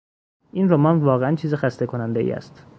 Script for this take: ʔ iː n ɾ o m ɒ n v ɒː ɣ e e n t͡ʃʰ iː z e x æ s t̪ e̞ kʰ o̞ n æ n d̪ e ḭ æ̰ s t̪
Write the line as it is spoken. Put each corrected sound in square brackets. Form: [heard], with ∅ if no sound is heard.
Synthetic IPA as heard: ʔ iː n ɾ o m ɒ n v ɒː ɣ e [æ] n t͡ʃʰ iː z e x æ s t̪ e̞ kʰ o̞ n æ n d̪ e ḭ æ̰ s t̪